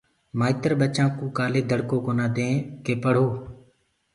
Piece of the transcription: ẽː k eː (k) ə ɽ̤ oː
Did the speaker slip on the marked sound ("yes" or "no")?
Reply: yes